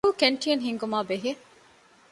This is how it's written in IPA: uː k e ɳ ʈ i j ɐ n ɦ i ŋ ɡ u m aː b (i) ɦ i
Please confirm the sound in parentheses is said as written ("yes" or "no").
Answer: no